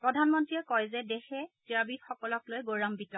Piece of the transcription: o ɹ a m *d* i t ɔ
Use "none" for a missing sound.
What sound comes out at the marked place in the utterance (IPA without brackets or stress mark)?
b